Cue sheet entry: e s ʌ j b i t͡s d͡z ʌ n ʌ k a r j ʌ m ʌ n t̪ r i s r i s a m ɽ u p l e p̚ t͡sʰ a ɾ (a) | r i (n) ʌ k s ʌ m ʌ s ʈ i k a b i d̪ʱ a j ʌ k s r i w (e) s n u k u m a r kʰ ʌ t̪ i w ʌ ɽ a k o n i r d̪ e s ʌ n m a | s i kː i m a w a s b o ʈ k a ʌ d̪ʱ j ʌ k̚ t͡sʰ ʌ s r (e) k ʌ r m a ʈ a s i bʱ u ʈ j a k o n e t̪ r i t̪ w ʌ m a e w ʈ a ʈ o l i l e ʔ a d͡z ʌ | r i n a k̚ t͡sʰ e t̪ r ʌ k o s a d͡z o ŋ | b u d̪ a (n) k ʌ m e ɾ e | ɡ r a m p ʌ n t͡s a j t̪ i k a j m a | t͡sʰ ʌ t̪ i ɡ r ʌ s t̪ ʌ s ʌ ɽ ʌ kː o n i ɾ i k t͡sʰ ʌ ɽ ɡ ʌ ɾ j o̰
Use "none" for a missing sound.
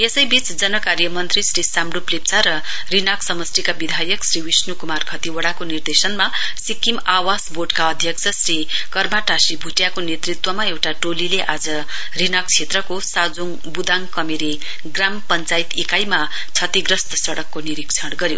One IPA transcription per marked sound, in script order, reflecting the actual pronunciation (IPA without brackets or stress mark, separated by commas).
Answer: ʌ, n, i, i, ŋ